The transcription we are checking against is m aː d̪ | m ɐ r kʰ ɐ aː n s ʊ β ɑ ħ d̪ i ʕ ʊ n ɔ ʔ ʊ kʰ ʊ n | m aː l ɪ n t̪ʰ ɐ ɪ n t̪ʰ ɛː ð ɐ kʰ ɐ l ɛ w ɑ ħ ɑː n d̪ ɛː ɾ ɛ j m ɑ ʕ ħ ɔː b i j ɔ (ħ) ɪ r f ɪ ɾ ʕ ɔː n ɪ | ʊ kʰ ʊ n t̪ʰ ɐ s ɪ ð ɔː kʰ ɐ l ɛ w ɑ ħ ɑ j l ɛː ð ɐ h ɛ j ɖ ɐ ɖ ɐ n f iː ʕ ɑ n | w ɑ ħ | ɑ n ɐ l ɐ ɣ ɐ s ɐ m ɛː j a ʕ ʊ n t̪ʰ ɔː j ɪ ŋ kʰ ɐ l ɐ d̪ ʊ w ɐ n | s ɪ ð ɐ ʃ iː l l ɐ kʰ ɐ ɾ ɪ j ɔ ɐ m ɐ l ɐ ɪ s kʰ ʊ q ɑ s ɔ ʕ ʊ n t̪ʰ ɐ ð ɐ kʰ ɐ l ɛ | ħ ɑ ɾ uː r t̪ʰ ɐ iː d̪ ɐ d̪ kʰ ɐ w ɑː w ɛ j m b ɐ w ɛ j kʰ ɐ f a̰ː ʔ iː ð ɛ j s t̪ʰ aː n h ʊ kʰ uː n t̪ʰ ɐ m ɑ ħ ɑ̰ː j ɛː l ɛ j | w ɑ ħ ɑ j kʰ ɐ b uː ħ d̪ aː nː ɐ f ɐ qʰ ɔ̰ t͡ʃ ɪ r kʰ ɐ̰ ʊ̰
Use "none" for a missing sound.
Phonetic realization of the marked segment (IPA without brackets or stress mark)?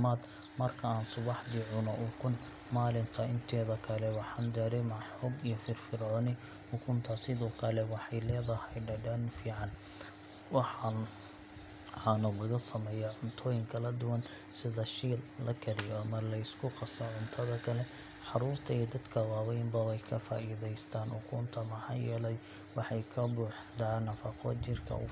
f